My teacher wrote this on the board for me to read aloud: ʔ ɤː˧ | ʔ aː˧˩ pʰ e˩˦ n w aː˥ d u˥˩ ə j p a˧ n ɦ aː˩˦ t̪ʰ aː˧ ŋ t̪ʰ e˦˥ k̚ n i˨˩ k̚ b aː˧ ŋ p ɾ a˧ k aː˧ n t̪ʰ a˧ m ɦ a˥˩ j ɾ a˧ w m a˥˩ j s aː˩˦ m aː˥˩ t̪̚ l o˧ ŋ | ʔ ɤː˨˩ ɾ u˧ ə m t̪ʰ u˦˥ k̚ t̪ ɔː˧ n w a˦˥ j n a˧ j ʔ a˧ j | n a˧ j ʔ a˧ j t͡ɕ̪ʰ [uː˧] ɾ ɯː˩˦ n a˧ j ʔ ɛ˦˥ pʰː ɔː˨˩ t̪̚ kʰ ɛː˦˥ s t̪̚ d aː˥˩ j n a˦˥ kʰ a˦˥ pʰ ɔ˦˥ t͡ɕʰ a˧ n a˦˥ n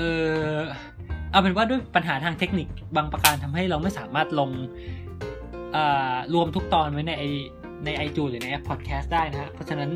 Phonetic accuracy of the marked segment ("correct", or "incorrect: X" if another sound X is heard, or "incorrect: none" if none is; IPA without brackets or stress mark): correct